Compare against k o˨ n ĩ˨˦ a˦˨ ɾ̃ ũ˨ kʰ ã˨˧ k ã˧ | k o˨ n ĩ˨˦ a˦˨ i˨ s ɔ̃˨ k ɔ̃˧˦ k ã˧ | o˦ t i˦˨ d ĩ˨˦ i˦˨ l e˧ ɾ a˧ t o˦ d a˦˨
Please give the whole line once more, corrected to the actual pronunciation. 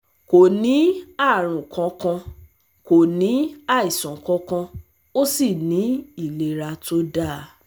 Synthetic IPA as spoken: k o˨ n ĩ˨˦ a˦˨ ɾ̃ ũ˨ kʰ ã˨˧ k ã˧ | k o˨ n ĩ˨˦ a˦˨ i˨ s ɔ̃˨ k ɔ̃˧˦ k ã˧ | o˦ s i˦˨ n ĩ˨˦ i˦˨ l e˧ ɾ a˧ t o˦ d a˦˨

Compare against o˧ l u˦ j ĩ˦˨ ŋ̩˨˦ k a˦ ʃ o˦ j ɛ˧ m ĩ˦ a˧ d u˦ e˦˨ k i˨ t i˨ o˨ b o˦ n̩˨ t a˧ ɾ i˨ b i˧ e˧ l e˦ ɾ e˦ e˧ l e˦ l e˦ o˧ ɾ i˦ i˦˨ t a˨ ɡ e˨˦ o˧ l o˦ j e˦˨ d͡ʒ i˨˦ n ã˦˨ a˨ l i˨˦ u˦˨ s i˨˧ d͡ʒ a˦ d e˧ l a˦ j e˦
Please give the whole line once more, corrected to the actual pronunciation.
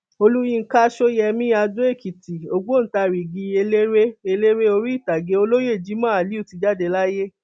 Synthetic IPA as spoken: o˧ l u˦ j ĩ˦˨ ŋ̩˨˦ k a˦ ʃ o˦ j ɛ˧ m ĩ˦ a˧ d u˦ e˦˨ k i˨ t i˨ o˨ ɡ͡b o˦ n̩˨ t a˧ ɾ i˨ ɡ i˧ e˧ l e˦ ɾ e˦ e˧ l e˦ ɾ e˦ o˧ ɾ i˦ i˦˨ t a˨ ɡ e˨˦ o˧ l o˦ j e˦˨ d͡ʒ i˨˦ m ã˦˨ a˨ l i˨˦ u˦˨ t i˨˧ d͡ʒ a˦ d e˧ l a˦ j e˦

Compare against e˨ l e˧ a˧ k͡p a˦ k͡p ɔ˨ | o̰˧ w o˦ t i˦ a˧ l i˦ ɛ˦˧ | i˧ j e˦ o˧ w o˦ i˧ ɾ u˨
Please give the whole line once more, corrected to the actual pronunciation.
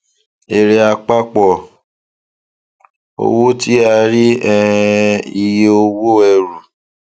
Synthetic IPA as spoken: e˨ ɾ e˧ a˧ k͡p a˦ k͡p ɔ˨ | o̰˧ w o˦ t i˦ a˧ ɾ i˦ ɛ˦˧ | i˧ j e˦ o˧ w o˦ ɛ˧ ɾ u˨

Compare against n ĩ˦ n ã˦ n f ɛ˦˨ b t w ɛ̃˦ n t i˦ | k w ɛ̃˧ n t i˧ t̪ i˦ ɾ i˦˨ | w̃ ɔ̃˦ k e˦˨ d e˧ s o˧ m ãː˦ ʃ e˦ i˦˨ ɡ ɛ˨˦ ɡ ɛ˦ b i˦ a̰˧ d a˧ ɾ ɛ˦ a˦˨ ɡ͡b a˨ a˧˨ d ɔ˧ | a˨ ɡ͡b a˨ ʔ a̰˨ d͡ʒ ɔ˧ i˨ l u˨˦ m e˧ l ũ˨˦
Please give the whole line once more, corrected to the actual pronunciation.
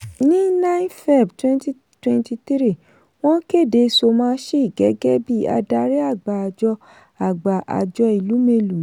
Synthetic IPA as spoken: n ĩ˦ n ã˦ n f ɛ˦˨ b t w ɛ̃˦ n t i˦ | t w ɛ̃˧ n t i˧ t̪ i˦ ɾ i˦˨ | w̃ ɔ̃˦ k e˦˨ d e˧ s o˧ m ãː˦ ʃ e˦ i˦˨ ɡ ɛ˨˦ ɡ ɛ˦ b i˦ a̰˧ d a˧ ɾ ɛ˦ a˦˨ ɡ͡b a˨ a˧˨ d͡ʒ ɔ˧ | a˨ ɡ͡b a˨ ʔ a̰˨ d͡ʒ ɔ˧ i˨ l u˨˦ m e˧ l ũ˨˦

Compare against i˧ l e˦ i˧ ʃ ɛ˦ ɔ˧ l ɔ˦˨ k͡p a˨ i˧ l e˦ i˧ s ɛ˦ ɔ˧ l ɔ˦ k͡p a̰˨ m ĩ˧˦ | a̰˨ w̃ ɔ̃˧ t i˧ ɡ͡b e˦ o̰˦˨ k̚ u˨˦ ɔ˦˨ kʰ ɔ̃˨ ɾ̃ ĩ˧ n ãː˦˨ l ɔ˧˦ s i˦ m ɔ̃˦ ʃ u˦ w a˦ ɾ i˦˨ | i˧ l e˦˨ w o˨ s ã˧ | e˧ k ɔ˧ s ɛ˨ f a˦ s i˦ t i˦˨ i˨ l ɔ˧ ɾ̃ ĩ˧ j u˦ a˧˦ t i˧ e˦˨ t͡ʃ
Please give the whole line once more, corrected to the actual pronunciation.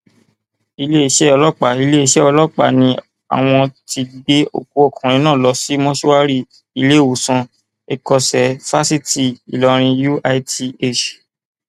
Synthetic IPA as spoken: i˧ l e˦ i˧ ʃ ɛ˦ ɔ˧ l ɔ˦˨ k͡p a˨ i˧ l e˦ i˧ ʃ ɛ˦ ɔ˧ l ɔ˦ k͡p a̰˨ n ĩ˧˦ | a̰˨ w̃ ɔ̃˧ t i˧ ɡ͡b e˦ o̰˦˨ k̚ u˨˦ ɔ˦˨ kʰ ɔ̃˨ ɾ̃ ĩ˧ n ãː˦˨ l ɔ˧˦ s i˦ m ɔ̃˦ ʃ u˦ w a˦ ɾ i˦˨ | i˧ l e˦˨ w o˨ s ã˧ | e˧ k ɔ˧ s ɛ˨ f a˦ s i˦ t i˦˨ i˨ l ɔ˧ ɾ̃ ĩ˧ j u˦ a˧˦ t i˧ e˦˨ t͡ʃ

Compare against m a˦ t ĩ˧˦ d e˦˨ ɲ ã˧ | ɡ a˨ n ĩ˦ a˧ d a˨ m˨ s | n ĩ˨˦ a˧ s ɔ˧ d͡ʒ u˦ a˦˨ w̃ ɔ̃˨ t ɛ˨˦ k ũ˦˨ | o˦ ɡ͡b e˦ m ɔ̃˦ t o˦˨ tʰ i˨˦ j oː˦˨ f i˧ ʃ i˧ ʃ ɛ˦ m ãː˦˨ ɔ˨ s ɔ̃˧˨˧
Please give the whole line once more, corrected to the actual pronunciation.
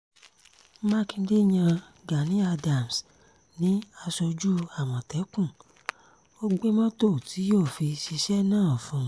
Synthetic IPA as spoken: m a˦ k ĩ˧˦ d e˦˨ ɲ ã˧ | ɡ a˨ n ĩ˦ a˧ d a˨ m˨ s | n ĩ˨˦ a˧ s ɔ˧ d͡ʒ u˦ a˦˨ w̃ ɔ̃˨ t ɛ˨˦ k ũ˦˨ | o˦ ɡ͡b e˦ m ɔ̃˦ t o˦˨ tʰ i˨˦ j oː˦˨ f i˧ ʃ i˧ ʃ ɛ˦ n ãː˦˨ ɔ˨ f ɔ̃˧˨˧

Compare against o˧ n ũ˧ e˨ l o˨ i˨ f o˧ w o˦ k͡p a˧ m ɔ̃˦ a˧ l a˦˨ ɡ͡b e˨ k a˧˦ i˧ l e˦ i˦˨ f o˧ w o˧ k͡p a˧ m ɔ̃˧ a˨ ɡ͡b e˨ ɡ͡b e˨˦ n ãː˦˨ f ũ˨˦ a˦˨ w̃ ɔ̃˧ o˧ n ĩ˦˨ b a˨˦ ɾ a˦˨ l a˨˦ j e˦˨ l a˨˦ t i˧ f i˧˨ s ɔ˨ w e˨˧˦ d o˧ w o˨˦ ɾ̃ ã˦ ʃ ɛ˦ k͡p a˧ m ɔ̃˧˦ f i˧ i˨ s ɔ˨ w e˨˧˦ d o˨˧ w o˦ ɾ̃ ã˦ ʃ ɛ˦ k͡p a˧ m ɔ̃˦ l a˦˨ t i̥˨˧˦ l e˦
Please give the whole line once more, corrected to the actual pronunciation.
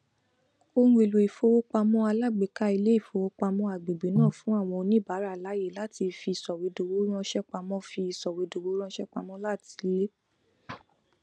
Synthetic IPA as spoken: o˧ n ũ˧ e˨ l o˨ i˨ f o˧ w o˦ k͡p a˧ m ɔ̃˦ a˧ l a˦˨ ɡ͡b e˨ k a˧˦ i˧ l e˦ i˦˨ f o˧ w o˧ k͡p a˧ m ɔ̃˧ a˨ ɡ͡b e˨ ɡ͡b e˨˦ n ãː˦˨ f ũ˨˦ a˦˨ w̃ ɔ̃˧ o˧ n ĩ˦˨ b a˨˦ ɾ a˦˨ l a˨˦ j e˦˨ l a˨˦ t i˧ f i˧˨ s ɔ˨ w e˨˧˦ d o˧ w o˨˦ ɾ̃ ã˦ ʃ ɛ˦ k͡p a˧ m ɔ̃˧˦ f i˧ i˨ s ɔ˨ w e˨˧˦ d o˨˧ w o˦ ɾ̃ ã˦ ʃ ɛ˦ k͡p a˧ m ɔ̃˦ l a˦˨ t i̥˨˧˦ l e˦

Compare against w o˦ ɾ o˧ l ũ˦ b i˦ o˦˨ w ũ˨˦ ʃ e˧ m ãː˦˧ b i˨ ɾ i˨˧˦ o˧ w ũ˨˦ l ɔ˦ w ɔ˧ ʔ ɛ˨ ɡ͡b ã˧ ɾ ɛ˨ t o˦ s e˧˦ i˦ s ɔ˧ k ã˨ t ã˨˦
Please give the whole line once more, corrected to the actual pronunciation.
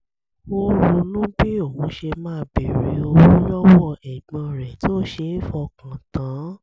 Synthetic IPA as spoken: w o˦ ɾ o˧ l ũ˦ b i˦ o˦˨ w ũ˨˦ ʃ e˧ m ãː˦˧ b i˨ ɾ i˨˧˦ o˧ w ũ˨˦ l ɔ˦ w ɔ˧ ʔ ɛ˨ ɡ͡b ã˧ ɾ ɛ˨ t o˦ ʃ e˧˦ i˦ f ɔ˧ k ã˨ t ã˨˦

